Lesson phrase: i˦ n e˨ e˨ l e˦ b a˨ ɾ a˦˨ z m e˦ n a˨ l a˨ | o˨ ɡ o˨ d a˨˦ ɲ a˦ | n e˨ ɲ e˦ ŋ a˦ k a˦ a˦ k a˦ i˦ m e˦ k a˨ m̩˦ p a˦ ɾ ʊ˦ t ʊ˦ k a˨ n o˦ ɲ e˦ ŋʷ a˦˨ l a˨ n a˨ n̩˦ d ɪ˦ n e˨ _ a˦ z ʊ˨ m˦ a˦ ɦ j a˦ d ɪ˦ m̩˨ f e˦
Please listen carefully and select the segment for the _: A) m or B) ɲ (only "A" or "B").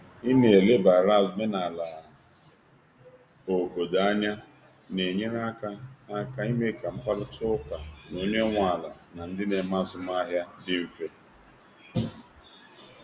A